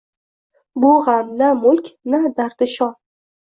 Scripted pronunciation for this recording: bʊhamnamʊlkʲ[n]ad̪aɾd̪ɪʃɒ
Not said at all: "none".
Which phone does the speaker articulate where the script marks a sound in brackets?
n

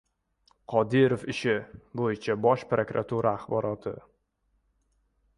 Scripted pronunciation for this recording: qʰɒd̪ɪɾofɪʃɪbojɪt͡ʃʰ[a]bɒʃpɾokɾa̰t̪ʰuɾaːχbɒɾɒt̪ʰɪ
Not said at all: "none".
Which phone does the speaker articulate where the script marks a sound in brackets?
a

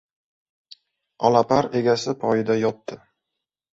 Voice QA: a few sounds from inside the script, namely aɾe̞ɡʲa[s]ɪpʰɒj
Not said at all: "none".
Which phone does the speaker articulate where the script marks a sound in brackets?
s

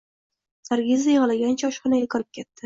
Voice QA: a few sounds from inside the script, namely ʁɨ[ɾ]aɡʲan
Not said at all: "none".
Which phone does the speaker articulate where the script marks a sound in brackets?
l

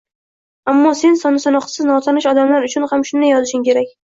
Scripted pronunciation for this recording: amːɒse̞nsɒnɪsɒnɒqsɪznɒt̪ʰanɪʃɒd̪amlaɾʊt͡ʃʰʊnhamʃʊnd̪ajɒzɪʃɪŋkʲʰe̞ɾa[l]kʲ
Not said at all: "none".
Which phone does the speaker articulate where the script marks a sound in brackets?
none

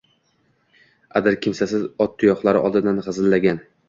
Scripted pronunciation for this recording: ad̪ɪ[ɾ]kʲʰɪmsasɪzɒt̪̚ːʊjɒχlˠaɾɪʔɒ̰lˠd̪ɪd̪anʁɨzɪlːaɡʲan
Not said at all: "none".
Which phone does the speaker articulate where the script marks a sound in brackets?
ɾ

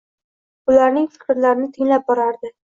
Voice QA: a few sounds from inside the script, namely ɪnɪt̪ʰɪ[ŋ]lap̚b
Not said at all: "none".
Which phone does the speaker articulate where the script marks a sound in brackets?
ŋ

